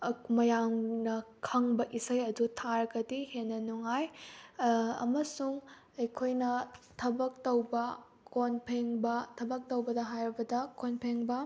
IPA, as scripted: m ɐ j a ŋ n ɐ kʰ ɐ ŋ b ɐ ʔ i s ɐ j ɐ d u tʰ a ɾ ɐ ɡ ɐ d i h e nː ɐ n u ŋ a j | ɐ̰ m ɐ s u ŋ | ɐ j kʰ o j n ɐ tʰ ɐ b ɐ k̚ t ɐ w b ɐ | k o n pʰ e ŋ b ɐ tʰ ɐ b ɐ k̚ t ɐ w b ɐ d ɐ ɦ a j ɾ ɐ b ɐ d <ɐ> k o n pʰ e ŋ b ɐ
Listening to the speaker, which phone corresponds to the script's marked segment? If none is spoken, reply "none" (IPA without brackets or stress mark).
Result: ɐ